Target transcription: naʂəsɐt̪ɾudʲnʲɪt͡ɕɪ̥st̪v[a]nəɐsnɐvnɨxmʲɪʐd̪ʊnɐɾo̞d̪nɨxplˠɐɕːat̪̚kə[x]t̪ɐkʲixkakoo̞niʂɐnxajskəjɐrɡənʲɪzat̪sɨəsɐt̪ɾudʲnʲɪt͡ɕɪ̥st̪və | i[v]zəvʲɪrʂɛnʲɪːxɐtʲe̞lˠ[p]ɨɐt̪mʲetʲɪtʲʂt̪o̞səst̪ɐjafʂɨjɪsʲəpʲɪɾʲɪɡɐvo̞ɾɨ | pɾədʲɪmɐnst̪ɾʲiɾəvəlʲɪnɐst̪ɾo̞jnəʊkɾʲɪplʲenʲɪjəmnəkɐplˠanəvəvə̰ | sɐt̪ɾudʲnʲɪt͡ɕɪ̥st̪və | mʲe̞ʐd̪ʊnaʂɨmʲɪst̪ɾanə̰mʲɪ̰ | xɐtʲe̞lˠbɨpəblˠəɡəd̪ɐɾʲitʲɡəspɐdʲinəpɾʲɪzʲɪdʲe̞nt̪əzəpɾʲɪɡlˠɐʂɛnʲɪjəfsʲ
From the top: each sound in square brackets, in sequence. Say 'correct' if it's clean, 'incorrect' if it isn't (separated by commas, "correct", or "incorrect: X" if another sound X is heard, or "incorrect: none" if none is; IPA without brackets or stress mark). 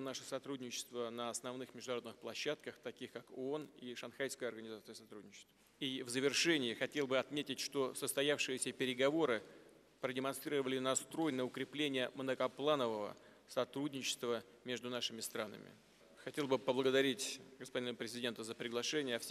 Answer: incorrect: ə, correct, correct, incorrect: b